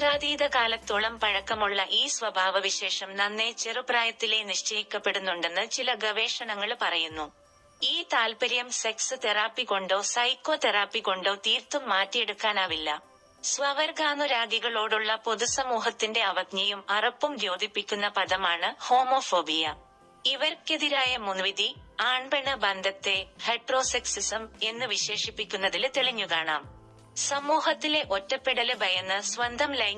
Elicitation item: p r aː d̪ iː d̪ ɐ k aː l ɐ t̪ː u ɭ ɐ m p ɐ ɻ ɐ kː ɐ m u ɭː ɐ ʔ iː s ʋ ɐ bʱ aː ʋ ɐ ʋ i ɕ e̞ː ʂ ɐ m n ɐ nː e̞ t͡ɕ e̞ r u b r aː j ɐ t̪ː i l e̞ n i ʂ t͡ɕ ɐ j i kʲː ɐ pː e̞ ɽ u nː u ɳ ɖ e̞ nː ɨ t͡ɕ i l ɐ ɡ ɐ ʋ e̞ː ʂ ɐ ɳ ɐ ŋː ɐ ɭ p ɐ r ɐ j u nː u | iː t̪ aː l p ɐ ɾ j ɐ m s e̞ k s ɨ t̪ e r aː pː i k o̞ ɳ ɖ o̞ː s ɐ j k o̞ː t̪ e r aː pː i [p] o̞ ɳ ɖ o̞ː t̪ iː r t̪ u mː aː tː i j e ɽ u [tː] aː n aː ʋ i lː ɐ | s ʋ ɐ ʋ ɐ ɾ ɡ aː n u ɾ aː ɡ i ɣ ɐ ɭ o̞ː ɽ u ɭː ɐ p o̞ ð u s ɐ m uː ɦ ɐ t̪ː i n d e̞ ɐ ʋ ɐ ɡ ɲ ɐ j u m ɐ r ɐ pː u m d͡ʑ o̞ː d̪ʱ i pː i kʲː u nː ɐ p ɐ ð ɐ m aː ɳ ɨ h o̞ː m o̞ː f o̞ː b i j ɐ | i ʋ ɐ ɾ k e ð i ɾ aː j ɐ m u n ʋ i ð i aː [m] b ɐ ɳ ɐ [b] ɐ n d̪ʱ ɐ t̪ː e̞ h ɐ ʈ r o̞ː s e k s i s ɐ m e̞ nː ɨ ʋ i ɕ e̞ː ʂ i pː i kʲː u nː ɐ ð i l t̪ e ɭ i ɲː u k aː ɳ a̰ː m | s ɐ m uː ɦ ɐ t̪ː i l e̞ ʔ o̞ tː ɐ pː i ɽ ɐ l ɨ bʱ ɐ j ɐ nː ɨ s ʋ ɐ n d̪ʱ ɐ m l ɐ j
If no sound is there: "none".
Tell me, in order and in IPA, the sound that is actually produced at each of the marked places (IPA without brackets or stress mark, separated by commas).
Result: k, kː, ɳ, b